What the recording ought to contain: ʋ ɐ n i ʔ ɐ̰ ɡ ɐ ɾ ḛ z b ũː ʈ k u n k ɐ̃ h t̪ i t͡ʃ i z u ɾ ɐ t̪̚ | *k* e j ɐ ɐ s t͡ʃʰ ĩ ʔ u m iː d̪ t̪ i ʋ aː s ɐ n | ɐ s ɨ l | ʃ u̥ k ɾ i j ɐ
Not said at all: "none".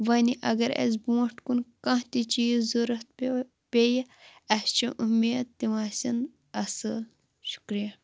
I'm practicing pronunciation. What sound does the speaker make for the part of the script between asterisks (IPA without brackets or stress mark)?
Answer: p